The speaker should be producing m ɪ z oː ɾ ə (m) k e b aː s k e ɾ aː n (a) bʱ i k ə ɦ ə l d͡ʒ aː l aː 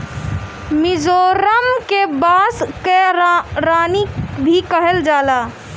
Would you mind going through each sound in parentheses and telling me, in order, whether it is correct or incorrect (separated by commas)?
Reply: correct, incorrect